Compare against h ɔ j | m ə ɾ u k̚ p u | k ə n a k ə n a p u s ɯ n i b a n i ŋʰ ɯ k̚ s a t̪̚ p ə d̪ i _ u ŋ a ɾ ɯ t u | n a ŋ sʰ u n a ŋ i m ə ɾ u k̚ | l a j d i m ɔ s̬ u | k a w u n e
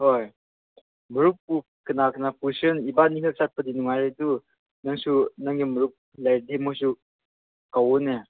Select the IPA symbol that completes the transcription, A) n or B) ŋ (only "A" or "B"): A